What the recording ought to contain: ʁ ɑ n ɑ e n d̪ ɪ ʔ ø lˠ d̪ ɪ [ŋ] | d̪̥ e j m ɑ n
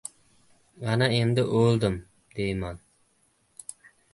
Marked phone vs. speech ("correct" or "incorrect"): incorrect